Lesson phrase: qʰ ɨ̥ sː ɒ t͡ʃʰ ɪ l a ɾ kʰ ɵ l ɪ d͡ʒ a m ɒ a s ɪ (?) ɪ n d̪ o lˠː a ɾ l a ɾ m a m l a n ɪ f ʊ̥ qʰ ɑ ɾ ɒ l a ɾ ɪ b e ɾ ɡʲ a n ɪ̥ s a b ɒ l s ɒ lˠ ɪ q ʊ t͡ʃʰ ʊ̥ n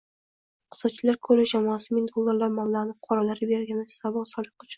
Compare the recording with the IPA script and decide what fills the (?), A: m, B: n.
A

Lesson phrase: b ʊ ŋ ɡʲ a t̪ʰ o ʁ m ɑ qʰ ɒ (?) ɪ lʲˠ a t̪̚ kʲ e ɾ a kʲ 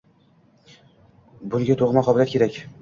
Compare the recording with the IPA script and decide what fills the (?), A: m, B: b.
B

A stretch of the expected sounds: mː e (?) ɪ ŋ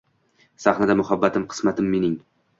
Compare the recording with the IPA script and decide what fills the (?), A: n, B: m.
A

